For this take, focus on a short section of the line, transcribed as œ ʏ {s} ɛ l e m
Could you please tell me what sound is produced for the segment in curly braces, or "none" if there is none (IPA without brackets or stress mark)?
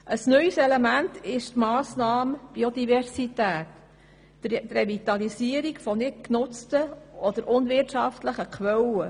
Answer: s